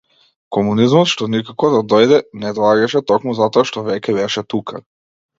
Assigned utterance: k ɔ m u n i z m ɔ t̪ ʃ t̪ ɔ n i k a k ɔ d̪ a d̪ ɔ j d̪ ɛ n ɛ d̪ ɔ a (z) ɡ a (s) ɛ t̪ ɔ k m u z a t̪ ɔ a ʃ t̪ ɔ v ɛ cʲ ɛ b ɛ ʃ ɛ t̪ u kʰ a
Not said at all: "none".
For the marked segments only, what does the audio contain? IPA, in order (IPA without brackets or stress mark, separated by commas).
none, ʃ